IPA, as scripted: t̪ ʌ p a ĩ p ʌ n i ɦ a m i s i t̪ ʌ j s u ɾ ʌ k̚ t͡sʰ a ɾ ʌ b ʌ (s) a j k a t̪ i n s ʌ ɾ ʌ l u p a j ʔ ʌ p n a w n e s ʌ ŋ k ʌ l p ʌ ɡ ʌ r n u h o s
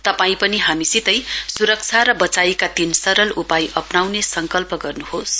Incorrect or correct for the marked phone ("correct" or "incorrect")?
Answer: incorrect